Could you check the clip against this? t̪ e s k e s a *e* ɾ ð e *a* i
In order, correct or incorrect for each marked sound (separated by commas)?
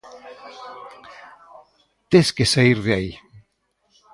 incorrect, correct